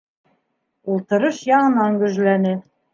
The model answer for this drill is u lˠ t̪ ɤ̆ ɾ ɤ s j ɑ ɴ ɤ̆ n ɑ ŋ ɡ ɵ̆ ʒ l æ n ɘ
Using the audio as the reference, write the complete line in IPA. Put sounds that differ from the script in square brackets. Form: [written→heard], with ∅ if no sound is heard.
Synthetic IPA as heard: u lˠ t̪ ɤ̆ ɾ ɤ [s→ʃ] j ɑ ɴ ɤ̆ n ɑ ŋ ɡ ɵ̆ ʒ l æ n ɘ

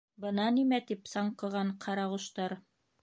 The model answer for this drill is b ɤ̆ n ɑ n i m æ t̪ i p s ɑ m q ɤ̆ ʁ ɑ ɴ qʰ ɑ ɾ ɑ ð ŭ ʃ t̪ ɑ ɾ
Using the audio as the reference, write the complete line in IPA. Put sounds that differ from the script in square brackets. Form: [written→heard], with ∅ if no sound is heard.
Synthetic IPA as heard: b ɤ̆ n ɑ n i m æ t̪ i p s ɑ [m→ɴ] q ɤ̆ ʁ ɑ ɴ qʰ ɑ ɾ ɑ [ð→ʁ] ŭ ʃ t̪ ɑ ɾ

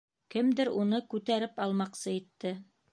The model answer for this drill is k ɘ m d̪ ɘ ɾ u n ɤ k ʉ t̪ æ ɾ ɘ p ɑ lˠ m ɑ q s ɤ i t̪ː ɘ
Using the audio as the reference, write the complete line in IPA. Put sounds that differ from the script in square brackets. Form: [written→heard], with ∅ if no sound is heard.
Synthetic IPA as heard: k ɘ m d̪ ɘ ɾ u n ɤ k ʉ t̪ æ ɾ ɘ p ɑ lˠ m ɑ q s ɤ i t̪ː ɘ

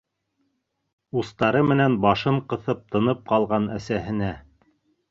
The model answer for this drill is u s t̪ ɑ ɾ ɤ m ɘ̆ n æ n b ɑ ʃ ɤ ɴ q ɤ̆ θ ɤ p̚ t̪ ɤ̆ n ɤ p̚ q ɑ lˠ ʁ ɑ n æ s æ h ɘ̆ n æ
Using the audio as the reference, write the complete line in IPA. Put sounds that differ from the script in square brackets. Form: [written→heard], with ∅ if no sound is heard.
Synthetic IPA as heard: u s t̪ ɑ ɾ ɤ m ɘ̆ n æ n b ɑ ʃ ɤ ɴ q ɤ̆ θ ɤ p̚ t̪ ɤ̆ n ɤ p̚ q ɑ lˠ ʁ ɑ n æ s æ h ɘ̆ n æ

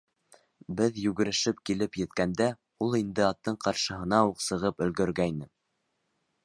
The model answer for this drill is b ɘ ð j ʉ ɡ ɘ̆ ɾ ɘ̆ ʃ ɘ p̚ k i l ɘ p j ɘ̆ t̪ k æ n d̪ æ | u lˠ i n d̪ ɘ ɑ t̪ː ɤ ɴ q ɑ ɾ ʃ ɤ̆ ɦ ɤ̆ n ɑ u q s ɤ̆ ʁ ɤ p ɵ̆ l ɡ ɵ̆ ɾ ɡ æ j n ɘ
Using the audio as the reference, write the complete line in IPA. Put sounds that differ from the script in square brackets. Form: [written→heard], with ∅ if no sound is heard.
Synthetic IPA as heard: b ɘ ð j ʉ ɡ ɘ̆ ɾ ɘ̆ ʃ ɘ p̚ k i l ɘ p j ɘ̆ t̪ k æ n d̪ æ | u lˠ i n d̪ ɘ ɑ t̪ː ɤ ɴ q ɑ ɾ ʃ ɤ̆ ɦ ɤ̆ n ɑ u q s ɤ̆ ʁ ɤ p ɵ̆ l ɡ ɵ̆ ɾ ɡ æ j n ɘ

